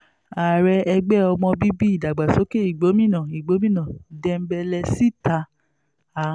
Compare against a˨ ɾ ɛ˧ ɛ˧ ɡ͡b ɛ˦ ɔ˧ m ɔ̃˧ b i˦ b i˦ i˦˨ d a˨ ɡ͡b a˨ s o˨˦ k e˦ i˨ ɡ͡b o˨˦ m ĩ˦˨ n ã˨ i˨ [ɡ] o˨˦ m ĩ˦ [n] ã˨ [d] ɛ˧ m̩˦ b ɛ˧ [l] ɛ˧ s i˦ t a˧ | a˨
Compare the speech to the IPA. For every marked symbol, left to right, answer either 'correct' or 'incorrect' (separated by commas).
incorrect, correct, correct, correct